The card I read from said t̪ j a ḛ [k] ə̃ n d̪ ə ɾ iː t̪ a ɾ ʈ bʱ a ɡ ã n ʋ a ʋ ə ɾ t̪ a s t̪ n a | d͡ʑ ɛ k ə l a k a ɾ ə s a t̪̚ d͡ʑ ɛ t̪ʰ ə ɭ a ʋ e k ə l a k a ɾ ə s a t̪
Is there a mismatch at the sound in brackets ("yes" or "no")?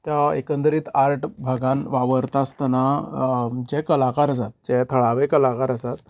no